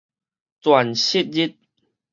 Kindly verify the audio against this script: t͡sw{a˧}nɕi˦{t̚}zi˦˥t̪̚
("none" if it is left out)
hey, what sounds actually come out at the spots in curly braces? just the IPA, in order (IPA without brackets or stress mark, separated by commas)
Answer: a˨˩, t̚